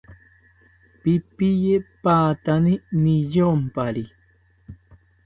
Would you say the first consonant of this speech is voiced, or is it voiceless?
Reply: voiceless